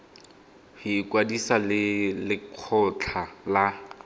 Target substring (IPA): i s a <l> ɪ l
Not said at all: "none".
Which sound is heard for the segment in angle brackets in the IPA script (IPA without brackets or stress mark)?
l